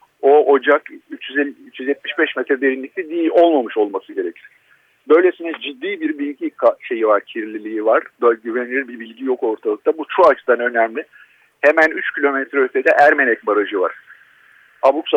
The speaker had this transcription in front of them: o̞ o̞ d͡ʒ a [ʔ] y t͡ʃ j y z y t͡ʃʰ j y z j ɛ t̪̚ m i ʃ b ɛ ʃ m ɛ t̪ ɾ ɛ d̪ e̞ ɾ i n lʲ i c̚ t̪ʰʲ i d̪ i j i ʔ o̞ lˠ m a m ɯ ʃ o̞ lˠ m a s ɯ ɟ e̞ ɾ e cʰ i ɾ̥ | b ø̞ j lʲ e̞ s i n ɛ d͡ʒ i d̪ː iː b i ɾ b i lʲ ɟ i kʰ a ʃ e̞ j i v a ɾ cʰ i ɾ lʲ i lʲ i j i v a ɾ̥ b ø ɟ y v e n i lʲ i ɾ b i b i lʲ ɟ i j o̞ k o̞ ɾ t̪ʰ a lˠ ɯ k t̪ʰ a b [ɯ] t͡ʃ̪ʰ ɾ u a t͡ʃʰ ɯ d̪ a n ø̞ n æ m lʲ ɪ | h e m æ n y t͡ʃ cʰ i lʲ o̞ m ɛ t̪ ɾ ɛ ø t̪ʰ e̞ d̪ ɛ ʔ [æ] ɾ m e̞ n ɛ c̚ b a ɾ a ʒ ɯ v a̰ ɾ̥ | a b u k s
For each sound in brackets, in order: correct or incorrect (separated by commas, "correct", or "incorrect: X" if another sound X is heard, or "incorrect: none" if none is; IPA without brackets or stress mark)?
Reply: incorrect: k, incorrect: u, correct